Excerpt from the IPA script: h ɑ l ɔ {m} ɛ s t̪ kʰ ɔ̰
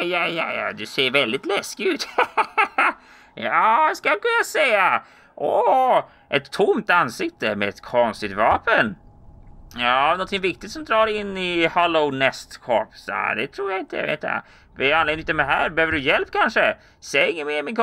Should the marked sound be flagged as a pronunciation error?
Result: yes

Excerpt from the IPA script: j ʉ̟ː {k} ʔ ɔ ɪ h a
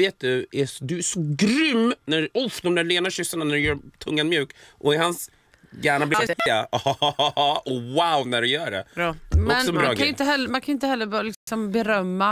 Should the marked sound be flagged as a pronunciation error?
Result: no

